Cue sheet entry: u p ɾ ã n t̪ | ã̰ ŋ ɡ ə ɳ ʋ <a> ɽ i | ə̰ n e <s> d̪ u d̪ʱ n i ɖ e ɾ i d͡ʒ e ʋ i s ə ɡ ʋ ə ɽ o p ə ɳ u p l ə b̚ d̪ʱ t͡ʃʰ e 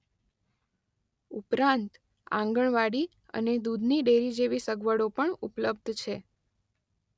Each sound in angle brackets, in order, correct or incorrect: correct, incorrect: none

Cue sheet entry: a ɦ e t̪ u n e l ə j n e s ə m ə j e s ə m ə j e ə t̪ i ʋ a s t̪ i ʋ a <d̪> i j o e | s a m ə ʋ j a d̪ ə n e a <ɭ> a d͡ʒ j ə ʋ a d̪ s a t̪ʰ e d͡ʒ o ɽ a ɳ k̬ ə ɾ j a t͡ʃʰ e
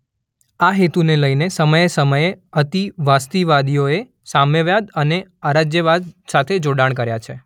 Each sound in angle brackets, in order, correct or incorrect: correct, incorrect: ɾ

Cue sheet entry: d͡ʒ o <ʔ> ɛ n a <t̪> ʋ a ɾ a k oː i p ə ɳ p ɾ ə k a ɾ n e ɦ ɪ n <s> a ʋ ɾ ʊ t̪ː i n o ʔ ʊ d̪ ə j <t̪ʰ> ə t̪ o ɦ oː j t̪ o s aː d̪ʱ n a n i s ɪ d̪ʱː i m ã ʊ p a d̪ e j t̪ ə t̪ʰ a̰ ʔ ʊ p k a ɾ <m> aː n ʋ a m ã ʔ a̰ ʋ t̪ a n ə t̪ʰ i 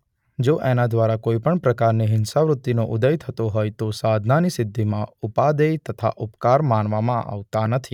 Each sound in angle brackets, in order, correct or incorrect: correct, incorrect: d̪, correct, correct, correct

